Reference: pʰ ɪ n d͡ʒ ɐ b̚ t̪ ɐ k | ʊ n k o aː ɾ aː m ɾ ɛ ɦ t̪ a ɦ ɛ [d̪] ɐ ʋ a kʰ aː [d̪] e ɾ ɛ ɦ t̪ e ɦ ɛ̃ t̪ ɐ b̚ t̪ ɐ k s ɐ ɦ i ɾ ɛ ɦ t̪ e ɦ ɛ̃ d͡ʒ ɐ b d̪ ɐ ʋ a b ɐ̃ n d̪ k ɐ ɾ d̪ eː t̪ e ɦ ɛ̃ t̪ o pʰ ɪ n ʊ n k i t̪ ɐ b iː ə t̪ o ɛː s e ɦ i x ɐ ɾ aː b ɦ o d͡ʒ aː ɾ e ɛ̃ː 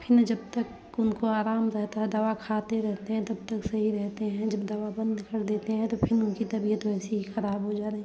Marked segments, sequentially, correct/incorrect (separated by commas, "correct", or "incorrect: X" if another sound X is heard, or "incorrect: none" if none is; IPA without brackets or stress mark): correct, incorrect: t̪